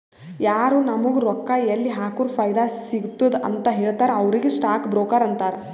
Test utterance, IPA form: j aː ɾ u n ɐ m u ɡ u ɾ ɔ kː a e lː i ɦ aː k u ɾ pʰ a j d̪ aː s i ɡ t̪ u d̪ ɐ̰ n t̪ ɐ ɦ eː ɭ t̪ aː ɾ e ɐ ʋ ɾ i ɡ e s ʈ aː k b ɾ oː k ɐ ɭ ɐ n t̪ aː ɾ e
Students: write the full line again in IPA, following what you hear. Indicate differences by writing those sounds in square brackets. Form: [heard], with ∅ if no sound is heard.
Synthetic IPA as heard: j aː ɾ u n ɐ m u ɡ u ɾ ɔ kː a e lː i ɦ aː k u ɾ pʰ [ɐ] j d̪ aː s i ɡ t̪ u d̪ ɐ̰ n t̪ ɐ ɦ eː ɭ t̪ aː ɾ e ɐ ʋ ɾ i ɡ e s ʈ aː k b ɾ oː k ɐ [ɾ] ɐ n t̪ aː ɾ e